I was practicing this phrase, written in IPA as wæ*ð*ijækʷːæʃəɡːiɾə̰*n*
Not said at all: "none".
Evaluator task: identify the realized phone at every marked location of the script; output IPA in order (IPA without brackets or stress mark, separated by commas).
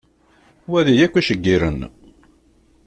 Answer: ð, n